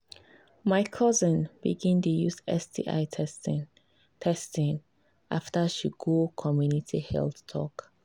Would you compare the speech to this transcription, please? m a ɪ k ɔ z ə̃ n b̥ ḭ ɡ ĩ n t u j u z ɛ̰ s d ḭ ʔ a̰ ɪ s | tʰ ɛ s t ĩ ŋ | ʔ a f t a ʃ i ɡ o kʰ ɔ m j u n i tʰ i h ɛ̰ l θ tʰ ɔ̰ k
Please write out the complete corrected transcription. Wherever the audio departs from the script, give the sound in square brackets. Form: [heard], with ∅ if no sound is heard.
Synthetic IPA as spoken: m a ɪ [kʰ] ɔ z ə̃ n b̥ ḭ ɡ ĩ n t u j u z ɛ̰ s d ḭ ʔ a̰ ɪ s | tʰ ɛ s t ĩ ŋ | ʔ a f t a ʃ i ɡ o kʰ ɔ m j u n i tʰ i h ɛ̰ l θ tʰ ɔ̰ k